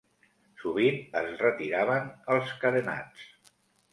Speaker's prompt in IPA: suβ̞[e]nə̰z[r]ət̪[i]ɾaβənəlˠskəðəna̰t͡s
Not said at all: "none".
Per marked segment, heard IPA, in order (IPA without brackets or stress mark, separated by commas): i, r, i